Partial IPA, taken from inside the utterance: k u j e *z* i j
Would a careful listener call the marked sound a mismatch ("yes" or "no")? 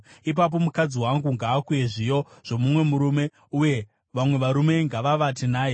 yes